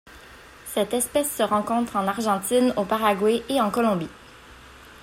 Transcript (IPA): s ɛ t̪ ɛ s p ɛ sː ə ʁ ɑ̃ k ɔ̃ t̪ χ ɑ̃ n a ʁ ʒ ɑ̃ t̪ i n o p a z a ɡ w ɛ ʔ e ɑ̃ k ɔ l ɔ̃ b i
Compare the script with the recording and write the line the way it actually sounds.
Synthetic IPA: s ɛ t̪ ɛ s p ɛ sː ə ʁ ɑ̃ k ɔ̃ t̪ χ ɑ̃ n a ʁ ʒ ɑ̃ t̪ i n o p a ʁ a ɡ w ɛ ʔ e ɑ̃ k ɔ l ɔ̃ b i